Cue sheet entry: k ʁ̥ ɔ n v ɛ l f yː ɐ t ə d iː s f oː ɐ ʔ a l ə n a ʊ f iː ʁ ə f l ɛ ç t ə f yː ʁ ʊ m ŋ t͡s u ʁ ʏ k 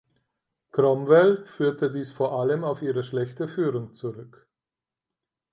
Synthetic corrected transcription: k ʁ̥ ɔ m v ɛ l f yː ɐ t ə d iː s f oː ɐ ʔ a l ə m a ʊ f iː ʁ ə ʃ l ɛ ç t ə f yː ʁ ʊ ŋ t͡s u ʁ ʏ k